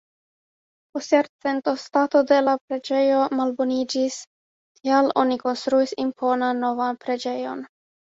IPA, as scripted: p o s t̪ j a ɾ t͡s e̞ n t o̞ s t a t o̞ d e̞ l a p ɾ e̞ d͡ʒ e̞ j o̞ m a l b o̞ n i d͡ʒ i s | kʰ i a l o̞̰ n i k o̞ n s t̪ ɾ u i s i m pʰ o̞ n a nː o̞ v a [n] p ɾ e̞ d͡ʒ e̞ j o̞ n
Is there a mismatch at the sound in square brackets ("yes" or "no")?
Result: no